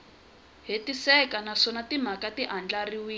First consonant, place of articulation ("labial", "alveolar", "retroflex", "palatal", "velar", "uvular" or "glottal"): glottal